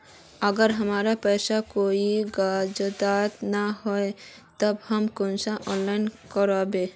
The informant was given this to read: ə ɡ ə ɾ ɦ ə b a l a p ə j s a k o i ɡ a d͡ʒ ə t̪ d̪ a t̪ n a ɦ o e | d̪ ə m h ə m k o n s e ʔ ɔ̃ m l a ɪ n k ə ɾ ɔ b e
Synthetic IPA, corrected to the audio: ə ɡ ə ɾ ɦ ə m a ɾ a p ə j s a k o i ɡ a d͡ʒ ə d̪ a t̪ n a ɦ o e | t̪ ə b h ə m k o n s a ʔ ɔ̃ n l a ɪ n k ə ɾ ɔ b e